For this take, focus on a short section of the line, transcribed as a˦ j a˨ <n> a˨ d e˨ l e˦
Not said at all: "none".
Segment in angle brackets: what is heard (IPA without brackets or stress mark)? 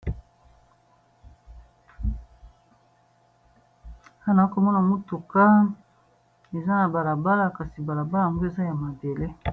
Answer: m